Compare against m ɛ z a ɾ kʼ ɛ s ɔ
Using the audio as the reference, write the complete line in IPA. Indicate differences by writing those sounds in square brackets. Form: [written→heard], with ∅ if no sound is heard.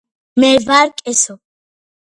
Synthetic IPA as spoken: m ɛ [z→v] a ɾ kʼ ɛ s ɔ